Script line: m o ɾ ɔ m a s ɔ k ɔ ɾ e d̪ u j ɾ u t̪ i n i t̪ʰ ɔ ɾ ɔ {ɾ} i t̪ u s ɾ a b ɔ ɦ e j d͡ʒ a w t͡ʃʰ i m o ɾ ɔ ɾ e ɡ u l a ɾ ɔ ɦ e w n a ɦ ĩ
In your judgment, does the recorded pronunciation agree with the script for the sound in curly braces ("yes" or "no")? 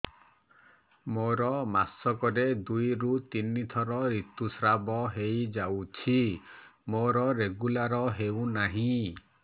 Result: yes